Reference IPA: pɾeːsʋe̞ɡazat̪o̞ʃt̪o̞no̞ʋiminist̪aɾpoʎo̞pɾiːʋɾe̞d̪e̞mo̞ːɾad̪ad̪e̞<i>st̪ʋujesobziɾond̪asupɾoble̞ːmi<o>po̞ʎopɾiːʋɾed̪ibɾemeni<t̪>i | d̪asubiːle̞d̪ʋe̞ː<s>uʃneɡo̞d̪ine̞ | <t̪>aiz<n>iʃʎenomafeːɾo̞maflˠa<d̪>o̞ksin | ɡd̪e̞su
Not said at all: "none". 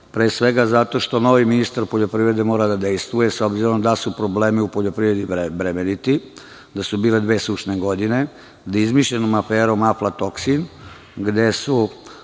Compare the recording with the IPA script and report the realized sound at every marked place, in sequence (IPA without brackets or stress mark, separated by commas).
j, u, t̪, s, d̪, m, t̪